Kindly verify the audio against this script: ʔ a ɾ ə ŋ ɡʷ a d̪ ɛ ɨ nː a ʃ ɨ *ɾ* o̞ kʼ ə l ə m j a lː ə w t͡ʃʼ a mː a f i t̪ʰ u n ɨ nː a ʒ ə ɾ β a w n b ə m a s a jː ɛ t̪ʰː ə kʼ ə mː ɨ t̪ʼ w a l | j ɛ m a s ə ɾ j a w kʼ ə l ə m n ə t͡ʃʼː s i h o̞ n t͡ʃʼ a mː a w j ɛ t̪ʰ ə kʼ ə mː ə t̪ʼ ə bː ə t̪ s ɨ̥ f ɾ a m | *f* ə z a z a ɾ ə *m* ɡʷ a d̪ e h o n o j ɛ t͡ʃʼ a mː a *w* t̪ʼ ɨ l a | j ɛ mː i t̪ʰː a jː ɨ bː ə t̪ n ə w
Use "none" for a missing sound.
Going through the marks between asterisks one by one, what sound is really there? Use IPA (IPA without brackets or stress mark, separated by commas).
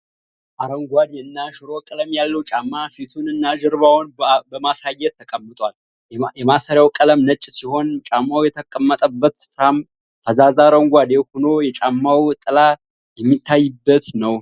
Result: ɾ, f, ŋ, w